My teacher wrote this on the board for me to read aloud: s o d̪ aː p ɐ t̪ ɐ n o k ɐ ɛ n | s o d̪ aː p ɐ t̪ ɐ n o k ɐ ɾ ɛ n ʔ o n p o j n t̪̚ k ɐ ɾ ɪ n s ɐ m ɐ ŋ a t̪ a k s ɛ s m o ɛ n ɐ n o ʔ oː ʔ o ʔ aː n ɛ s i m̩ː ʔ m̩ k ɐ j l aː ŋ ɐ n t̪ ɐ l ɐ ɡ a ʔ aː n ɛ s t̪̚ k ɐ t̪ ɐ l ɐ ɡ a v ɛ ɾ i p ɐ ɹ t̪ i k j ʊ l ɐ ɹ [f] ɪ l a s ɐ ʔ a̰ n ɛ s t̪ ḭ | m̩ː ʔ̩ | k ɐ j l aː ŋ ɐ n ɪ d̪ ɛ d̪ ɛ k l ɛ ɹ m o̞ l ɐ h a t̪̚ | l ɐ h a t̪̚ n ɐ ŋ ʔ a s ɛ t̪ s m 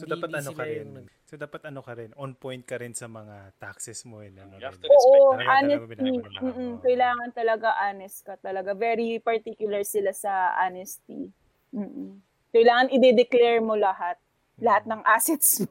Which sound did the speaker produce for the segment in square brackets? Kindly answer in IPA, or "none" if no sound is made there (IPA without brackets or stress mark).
s